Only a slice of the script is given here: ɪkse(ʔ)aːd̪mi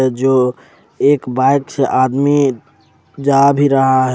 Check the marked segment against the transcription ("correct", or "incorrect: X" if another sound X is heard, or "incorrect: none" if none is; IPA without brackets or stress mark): correct